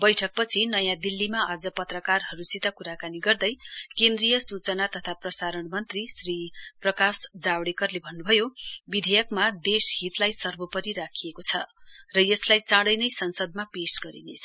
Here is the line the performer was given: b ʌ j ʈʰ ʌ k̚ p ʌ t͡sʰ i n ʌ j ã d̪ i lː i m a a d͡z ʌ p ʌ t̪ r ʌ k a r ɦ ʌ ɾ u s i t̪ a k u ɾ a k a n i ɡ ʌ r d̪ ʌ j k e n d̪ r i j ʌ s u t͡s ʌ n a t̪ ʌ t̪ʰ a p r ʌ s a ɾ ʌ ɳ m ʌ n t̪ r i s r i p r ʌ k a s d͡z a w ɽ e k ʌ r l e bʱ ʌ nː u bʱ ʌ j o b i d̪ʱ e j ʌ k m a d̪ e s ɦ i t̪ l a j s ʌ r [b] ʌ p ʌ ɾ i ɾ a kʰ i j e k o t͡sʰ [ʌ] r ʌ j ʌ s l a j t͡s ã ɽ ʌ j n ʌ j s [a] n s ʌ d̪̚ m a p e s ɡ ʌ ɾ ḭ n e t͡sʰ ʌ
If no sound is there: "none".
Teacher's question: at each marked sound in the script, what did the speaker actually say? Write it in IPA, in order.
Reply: b, ʌ, ʌ

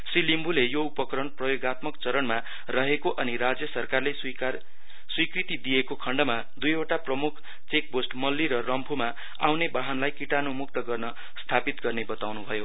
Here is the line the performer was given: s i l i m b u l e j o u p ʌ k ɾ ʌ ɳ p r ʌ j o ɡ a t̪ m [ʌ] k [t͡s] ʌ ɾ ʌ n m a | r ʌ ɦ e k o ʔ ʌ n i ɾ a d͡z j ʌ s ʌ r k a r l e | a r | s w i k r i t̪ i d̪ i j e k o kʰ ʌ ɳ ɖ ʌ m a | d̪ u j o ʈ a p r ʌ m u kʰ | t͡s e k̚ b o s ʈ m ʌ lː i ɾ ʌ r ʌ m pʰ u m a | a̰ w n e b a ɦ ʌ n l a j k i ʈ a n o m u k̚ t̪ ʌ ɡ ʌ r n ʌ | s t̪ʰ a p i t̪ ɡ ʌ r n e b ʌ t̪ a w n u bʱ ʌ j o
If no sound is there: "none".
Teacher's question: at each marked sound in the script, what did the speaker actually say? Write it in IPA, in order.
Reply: ʌ, t͡s

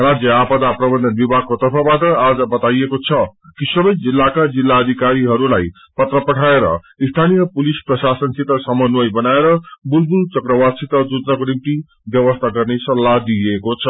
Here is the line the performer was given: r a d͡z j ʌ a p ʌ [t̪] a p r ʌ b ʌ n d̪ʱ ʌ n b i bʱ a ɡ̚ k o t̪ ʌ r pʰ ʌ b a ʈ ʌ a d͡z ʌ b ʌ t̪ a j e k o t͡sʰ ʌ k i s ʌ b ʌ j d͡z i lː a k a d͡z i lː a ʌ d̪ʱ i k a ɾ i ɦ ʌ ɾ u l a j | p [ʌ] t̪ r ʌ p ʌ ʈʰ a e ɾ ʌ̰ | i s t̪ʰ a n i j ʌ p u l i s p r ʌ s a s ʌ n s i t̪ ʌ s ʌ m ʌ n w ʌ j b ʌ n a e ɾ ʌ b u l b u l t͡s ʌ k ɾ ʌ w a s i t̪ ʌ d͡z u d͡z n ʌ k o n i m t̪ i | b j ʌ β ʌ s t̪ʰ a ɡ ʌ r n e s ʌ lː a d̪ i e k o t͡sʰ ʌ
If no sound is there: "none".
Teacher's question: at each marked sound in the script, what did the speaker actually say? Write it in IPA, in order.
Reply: d̪, ʌ

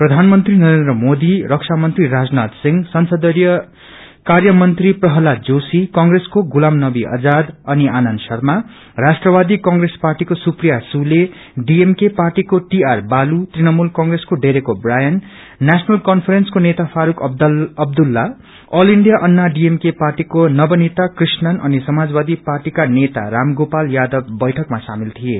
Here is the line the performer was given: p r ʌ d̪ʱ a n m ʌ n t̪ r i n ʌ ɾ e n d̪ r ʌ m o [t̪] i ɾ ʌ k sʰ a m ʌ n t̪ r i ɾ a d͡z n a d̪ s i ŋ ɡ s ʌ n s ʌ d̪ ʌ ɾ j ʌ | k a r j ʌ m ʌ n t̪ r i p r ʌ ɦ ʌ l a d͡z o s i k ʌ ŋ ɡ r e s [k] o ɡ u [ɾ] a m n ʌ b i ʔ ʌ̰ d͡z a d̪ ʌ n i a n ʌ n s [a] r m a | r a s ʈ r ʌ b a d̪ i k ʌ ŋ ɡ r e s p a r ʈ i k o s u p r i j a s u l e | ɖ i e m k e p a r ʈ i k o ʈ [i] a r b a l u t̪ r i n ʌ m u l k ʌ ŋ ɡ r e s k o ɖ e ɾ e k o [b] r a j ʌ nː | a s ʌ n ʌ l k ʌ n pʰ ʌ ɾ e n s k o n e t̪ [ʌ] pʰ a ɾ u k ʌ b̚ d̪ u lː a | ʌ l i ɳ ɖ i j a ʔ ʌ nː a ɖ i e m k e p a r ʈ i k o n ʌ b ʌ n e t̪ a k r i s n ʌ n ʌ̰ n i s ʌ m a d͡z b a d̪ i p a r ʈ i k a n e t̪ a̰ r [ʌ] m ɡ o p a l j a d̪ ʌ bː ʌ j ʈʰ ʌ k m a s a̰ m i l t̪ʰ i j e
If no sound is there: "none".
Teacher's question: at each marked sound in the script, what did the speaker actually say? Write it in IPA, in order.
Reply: d̪, k, l, ʌ, i, b, a, a

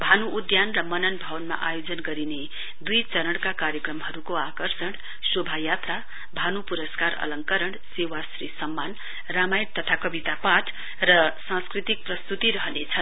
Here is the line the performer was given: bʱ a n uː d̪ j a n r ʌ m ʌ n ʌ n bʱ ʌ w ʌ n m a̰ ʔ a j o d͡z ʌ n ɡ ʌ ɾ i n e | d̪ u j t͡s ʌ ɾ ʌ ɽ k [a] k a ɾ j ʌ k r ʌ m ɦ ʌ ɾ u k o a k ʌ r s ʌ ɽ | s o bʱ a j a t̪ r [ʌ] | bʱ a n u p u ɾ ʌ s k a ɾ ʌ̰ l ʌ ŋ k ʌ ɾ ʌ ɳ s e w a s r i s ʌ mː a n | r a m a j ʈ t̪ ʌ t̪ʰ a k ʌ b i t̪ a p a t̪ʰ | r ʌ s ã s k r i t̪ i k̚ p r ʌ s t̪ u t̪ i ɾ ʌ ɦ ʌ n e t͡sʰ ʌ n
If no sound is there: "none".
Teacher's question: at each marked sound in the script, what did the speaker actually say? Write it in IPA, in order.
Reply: a, a

